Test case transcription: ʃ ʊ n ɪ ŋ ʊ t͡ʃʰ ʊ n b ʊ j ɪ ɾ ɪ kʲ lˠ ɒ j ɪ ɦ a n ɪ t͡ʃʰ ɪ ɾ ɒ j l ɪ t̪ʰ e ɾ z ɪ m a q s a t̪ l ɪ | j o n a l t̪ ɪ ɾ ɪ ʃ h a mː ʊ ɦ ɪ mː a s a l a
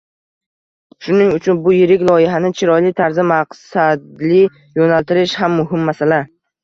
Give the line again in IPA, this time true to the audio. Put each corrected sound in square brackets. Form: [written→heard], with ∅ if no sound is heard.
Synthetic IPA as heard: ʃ ʊ n ɪ ŋ ʊ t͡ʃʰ ʊ n b ʊ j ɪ ɾ ɪ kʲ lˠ ɒ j ɪ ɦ a n ɪ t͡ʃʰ ɪ ɾ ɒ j l ɪ t̪ʰ [e→a] ɾ z ɪ m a q s a [t̪→d̪] l ɪ | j o n a l t̪ ɪ ɾ ɪ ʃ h a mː ʊ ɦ ɪ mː a s a l a